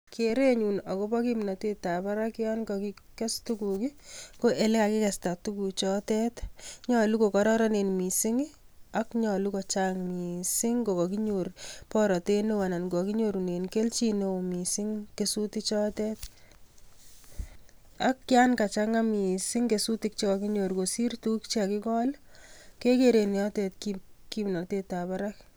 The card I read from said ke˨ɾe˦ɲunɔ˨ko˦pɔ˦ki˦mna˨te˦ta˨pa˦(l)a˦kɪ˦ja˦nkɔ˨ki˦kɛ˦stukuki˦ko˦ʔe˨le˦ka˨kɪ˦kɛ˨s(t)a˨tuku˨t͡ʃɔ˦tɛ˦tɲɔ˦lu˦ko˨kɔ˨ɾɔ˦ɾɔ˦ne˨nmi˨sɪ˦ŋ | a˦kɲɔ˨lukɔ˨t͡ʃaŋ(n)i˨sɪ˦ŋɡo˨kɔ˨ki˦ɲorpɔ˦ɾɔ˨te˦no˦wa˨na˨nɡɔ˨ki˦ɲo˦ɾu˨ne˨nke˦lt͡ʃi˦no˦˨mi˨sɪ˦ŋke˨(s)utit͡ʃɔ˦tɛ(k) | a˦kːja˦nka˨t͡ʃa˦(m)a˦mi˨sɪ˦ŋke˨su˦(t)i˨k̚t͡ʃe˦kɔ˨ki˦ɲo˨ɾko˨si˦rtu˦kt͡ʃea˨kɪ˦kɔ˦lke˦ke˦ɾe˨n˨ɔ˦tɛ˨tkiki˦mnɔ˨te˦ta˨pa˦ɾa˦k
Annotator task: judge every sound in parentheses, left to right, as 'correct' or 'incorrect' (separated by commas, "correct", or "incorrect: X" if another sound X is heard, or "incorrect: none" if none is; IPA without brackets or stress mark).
incorrect: ɾ, correct, incorrect: m, correct, incorrect: t, incorrect: ŋ, correct